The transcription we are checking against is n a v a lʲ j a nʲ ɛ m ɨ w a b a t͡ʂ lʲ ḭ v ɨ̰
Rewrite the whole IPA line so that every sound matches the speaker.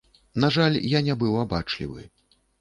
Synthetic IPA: n a ʐ a lʲ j a nʲ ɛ b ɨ w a b a t͡ʂ lʲ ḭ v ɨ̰